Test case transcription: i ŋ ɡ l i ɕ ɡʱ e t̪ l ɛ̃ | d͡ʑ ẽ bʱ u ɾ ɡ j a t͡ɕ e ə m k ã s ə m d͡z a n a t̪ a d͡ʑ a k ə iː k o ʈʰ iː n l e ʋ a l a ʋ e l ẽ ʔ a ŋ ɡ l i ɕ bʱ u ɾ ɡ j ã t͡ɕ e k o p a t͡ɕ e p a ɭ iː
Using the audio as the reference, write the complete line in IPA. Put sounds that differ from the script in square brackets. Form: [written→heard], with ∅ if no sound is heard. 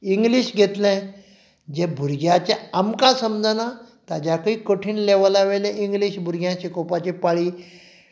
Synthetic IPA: i ŋ ɡ l i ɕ ɡʱ e t̪ l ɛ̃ | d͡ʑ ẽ bʱ u ɾ ɡ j a t͡ɕ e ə m k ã s ə m d͡z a n a t̪ a d͡ʑ a k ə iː k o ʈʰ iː n l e ʋ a l a ʋ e l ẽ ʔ [a→i] ŋ ɡ l i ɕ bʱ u ɾ ɡ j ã t͡ɕ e k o p a t͡ɕ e p a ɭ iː